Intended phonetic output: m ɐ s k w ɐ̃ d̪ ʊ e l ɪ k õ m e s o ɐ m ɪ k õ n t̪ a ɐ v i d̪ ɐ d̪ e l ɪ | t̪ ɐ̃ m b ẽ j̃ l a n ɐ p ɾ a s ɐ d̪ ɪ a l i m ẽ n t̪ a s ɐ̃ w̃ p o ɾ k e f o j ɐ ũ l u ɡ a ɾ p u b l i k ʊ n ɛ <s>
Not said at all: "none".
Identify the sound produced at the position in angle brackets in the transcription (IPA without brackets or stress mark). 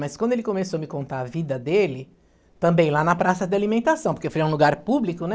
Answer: none